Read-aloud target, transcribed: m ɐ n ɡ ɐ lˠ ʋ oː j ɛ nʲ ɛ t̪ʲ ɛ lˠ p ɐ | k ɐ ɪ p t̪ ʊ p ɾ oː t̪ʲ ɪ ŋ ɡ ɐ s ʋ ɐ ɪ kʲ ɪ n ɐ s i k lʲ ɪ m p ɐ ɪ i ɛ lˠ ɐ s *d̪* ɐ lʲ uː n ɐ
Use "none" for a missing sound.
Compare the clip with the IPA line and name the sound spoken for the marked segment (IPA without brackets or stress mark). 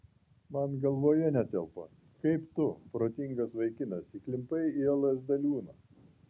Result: d̪